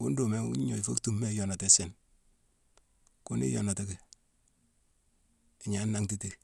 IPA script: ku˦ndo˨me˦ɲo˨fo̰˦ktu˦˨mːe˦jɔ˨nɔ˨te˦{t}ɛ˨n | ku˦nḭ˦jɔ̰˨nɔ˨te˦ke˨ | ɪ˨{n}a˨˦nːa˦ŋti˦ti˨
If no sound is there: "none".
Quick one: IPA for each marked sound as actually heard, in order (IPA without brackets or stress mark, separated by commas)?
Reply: s, ɲ